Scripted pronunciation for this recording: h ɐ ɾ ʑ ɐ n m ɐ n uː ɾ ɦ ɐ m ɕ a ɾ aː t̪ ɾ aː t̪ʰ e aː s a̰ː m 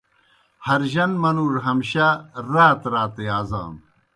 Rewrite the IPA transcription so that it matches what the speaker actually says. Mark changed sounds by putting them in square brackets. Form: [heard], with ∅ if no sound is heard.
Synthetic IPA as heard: h ɐ ɾ ʑ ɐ n m ɐ n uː ɾ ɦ ɐ m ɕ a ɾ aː t̪ ɾ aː [t̪] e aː [z] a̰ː m